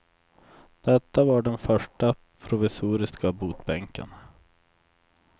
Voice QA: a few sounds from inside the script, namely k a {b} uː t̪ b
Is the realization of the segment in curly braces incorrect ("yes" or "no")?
no